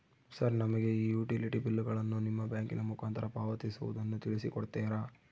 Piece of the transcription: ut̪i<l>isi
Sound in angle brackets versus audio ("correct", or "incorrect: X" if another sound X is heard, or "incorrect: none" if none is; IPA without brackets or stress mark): incorrect: ɭ